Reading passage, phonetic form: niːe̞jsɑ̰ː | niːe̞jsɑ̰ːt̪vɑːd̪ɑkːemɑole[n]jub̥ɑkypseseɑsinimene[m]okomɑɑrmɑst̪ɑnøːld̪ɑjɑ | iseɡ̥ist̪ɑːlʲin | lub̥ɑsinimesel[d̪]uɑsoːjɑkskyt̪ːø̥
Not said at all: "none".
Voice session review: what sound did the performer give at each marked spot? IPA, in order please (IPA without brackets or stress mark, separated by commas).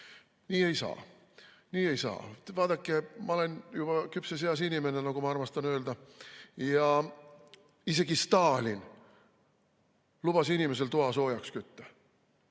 n, n, t̪